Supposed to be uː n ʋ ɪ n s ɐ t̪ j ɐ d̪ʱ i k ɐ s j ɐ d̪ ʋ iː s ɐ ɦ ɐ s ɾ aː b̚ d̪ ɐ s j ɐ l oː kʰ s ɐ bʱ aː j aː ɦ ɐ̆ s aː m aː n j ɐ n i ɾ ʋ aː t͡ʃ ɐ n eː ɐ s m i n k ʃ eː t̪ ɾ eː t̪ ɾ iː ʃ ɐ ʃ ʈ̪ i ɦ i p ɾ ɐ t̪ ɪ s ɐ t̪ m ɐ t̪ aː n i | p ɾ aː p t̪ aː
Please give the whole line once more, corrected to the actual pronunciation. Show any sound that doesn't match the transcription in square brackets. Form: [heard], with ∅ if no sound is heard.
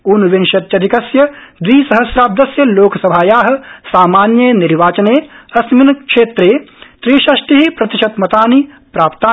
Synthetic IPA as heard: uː n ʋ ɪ n [ʃ] ɐ t̪ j ɐ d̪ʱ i k ɐ s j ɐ d̪ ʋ iː s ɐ ɦ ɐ s ɾ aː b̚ d̪ ɐ s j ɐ l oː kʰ s ɐ bʱ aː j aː ɦ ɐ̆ s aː m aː n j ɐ n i ɾ ʋ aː t͡ʃ ɐ n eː ɐ s m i n k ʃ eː t̪ ɾ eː t̪ ɾ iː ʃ ɐ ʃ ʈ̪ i ɦ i p ɾ ɐ t̪ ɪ [ʃ] ɐ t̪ m ɐ t̪ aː n i | p ɾ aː p t̪ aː